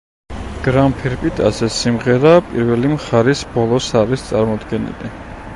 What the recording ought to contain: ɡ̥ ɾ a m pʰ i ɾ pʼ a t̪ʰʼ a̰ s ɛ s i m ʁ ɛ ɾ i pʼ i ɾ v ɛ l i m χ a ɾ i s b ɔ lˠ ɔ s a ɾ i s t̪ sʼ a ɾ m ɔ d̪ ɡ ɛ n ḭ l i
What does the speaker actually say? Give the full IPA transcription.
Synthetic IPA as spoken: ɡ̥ ɾ a m pʰ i ɾ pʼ i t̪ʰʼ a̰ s ɛ s i m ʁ ɛ ɾ a pʼ i ɾ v ɛ l i m χ a ɾ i s b ɔ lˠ ɔ s a ɾ i s t̪ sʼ a ɾ m ɔ d̪ ɡ ɛ n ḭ l i